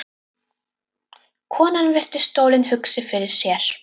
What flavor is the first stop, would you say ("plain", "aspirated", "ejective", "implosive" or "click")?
aspirated